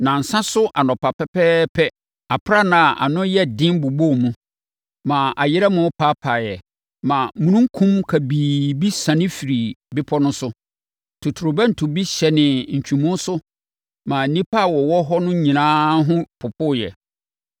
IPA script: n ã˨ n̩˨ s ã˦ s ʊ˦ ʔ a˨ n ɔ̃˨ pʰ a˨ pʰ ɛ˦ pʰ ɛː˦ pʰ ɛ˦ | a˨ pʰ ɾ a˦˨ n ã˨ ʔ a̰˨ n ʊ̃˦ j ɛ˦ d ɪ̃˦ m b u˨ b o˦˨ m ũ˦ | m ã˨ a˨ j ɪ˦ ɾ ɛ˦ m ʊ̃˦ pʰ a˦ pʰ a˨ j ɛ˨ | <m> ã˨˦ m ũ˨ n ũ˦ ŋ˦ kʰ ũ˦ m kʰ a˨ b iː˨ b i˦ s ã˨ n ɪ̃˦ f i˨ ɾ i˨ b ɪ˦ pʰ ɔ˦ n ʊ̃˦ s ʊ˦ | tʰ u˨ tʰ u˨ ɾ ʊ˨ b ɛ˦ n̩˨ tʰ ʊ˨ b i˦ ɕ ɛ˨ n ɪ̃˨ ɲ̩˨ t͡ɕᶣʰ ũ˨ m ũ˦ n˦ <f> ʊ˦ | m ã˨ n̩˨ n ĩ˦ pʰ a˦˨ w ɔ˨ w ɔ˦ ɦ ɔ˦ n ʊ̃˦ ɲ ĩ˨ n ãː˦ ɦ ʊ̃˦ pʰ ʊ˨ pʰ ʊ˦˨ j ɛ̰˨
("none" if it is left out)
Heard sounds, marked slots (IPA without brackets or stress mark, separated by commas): m, s